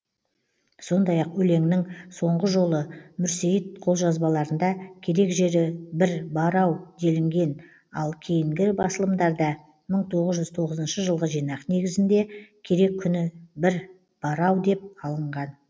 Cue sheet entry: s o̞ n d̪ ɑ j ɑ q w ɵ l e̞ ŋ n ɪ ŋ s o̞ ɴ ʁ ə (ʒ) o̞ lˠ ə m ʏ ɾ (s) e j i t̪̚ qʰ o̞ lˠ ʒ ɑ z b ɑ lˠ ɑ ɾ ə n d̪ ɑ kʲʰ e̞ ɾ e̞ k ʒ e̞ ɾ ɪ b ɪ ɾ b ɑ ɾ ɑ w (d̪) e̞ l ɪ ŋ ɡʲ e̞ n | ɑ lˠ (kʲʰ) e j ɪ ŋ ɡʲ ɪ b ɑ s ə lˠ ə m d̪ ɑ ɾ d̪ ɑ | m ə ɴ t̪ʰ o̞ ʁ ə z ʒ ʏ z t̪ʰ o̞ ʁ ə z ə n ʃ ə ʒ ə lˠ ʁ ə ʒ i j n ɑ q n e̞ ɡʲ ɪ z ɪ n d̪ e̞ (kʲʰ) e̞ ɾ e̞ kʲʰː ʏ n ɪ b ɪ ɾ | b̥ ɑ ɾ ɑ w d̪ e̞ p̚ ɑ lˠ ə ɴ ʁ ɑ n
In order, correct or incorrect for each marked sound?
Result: correct, correct, correct, correct, correct

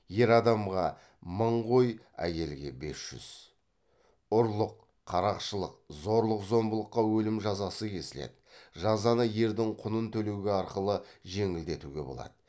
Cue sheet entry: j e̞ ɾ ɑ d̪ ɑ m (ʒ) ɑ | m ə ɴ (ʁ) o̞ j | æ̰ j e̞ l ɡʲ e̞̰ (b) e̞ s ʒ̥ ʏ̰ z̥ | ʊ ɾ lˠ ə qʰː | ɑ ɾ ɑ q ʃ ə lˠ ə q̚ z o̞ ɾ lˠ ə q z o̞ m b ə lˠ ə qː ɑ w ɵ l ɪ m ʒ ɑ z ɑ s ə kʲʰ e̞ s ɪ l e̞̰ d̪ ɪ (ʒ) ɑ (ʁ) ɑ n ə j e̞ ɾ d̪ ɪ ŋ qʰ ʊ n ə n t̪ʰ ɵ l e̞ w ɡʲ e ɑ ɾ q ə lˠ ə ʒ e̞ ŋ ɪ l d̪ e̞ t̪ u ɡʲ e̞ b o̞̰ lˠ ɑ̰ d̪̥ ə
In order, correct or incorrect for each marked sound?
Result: incorrect: ʁ, correct, correct, correct, incorrect: z

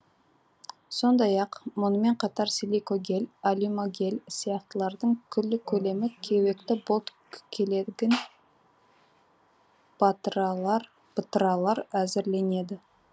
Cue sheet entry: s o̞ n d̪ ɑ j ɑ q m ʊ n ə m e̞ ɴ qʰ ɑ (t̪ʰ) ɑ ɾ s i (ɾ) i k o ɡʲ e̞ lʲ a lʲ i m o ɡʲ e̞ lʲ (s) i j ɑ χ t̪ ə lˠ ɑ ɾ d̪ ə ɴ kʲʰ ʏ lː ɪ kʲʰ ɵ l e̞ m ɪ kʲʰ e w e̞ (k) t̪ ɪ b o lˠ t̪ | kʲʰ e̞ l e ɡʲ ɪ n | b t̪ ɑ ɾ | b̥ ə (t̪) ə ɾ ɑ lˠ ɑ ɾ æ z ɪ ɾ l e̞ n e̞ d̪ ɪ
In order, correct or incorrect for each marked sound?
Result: incorrect: t̪, incorrect: l, correct, correct, correct

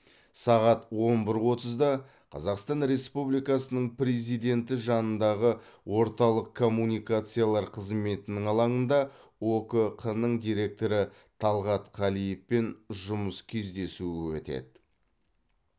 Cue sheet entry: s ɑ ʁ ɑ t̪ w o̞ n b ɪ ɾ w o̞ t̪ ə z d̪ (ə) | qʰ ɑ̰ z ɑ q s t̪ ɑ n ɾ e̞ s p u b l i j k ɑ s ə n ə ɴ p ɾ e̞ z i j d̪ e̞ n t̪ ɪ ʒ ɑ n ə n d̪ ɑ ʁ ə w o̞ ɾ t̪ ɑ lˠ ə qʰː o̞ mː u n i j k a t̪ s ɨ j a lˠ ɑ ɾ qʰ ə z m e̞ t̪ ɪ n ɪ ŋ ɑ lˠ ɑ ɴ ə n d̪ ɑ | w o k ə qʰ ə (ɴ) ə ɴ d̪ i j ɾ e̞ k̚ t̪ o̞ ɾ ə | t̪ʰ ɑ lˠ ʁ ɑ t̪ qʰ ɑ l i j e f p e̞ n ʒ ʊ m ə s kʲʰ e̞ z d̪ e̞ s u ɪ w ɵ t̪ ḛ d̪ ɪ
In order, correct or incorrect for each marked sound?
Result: incorrect: ɑ, incorrect: n

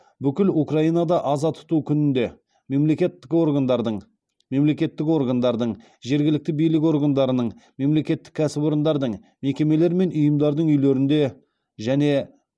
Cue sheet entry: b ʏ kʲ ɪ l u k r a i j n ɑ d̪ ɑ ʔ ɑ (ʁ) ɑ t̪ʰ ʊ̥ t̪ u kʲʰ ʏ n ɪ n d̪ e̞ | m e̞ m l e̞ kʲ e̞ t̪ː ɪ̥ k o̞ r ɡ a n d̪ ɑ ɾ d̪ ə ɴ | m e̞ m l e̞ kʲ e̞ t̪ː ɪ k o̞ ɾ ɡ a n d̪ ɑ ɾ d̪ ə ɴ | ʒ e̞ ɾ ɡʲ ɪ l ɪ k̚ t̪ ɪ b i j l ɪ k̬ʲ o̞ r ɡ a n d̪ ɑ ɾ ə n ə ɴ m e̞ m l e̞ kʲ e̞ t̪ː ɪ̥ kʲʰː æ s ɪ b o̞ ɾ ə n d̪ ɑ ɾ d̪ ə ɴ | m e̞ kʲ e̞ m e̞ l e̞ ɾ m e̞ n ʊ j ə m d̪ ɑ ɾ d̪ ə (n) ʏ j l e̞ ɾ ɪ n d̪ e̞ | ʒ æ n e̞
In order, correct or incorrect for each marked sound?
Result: incorrect: z, incorrect: ɴ

